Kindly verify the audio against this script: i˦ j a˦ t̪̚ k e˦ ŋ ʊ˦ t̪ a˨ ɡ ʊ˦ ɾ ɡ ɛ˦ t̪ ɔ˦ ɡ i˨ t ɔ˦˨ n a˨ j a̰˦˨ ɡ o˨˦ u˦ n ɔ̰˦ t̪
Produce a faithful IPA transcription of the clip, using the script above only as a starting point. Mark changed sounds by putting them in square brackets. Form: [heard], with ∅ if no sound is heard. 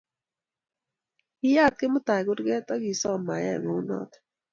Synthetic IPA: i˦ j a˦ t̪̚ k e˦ [m] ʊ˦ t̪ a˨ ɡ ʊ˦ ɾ ɡ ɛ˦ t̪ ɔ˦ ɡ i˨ [s] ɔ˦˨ [m] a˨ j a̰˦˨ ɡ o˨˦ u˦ n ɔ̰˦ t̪